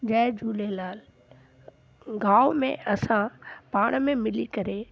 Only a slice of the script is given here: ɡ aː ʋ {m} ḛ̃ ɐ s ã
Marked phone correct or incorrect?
correct